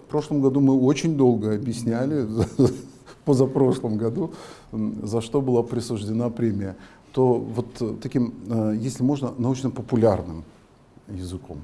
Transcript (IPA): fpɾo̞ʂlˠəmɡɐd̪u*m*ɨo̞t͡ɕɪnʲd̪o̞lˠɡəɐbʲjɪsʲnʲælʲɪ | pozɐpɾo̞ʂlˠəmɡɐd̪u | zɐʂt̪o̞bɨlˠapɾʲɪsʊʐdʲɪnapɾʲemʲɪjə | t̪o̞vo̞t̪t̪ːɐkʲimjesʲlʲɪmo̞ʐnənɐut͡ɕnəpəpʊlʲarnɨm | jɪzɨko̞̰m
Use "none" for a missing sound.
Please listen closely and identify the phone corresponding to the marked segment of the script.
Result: m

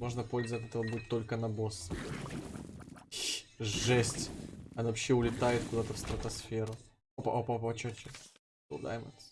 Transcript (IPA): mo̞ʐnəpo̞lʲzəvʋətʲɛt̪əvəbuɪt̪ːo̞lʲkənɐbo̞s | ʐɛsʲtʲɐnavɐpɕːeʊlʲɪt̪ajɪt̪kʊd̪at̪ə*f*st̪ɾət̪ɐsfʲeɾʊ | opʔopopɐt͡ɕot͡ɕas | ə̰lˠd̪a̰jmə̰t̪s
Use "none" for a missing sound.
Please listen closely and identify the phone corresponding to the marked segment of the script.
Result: f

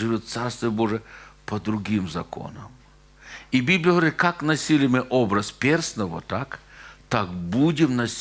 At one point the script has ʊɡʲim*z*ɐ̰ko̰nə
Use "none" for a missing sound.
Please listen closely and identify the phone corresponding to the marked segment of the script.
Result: z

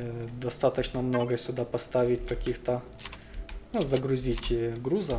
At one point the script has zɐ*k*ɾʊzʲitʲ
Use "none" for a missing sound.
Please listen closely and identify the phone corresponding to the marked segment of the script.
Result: ɡ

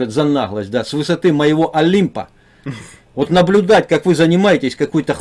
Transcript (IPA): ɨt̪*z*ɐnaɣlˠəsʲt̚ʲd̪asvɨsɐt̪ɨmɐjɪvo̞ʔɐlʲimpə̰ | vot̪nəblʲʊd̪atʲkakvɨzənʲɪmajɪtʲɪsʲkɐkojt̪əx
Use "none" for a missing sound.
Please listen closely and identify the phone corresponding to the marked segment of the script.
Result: z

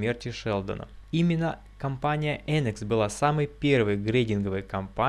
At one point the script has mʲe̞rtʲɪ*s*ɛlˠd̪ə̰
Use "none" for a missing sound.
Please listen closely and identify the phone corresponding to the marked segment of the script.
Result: ʂ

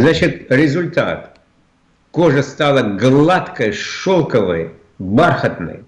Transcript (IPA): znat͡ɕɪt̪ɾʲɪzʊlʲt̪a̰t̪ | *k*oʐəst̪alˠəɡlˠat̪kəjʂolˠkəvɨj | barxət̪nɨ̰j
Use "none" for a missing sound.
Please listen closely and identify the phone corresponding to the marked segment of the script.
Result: k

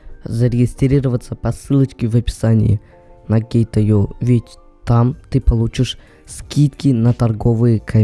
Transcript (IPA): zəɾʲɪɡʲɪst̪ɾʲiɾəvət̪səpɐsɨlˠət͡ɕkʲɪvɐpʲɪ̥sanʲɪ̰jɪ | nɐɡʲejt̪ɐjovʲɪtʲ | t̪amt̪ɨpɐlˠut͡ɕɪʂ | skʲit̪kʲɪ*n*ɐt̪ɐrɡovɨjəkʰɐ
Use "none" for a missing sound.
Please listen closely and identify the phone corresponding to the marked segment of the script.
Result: n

